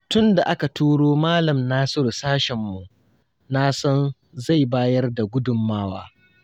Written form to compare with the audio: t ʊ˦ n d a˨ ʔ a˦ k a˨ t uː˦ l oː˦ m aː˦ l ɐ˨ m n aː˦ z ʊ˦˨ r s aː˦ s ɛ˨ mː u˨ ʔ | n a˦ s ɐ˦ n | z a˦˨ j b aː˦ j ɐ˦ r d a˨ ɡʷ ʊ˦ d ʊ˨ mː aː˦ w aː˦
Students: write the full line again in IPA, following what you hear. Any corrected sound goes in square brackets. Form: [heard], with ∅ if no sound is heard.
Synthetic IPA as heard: t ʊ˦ n d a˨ ʔ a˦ k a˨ t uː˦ [ɽ] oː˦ m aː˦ l ɐ˨ m n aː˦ [s] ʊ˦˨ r s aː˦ [ʃ] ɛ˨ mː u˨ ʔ | n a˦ s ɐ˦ n | z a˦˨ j b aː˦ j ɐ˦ r d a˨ ɡʷ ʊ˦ d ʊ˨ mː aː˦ w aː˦